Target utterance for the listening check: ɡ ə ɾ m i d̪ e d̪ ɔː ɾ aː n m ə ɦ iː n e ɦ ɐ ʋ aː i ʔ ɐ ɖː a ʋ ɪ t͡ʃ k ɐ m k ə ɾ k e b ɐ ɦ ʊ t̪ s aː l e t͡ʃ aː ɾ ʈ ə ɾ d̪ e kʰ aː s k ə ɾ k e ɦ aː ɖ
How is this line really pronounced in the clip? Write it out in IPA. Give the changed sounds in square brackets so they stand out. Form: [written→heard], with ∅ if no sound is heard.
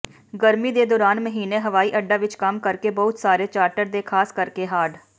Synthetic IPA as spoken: ɡ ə ɾ m i d̪ e d̪ ɔː ɾ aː n m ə ɦ iː n e ɦ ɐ ʋ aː i ʔ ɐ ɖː a ʋ ɪ t͡ʃ k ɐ m k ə ɾ k e b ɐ ɦ ʊ t̪ s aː [l→ɾ] e t͡ʃ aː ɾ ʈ ə ɾ d̪ e kʰ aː s k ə ɾ k e ɦ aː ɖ